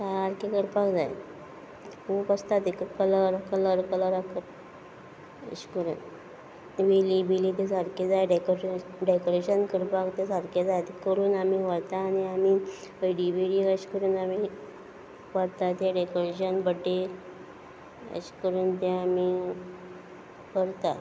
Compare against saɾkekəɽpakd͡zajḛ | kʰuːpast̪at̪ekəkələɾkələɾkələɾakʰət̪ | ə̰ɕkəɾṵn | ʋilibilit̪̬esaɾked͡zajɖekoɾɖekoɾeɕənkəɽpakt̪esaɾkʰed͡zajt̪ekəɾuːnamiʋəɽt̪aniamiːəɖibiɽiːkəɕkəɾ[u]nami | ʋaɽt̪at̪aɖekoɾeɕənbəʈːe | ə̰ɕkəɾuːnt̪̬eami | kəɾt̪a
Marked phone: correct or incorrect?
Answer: incorrect